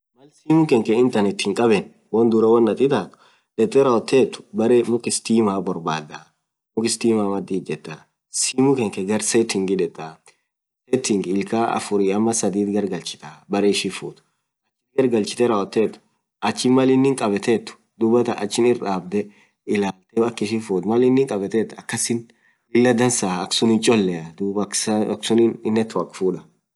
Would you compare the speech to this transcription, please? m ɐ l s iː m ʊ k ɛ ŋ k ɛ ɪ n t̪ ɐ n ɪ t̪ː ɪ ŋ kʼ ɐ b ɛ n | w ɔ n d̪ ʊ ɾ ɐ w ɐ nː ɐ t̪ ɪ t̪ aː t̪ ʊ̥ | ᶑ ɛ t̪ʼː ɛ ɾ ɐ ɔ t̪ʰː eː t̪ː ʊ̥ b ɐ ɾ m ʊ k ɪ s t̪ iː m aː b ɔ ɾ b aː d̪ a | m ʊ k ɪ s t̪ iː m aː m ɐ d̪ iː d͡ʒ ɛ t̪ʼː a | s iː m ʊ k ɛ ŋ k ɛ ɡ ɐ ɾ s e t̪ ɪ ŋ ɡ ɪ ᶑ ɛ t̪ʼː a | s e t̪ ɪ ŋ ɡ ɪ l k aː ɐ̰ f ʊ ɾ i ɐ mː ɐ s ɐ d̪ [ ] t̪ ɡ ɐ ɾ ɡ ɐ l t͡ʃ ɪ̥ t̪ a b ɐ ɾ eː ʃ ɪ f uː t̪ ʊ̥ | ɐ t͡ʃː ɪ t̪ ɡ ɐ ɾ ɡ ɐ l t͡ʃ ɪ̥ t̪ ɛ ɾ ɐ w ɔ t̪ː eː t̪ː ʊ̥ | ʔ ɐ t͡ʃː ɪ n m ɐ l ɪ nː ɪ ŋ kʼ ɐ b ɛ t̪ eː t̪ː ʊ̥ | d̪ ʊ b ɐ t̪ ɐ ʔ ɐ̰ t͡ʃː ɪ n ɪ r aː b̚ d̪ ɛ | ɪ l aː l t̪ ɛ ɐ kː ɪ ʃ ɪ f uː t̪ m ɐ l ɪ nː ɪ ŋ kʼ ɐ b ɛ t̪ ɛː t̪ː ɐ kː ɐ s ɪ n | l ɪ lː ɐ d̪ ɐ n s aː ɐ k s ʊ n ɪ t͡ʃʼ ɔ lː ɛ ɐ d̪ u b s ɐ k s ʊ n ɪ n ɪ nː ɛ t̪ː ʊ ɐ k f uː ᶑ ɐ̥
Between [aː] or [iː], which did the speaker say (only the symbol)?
iː